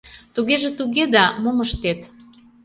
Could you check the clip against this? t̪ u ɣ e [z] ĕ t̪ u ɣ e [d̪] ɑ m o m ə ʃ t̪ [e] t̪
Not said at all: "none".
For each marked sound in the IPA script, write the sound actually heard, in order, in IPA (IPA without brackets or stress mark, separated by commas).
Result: ʒ, d̪, e